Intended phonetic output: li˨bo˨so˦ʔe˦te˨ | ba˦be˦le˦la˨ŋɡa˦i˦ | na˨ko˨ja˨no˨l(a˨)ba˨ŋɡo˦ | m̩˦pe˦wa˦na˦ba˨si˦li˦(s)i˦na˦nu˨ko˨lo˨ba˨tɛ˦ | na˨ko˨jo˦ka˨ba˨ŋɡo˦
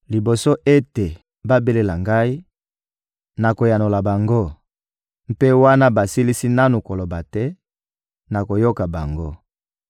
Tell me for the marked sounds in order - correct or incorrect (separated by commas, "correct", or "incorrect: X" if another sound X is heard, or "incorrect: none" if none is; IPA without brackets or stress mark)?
correct, correct